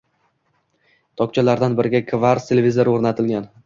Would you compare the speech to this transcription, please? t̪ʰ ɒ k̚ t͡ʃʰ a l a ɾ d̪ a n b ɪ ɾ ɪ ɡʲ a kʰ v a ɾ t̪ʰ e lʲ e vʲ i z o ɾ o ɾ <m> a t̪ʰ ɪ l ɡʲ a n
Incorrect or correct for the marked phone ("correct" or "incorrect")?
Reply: incorrect